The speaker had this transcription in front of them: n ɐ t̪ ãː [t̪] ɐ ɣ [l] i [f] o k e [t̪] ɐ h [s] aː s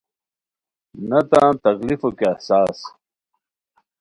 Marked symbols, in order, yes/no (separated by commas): yes, yes, yes, no, yes